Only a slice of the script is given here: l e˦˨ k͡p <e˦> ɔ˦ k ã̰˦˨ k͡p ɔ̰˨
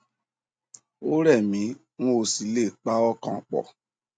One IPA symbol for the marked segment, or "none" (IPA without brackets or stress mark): a˦